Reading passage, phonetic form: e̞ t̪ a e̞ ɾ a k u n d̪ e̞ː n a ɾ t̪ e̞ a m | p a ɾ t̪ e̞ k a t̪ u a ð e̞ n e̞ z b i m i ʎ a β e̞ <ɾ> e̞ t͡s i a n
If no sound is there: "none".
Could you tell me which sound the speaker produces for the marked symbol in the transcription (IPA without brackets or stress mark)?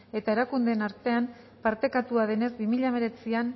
ɾ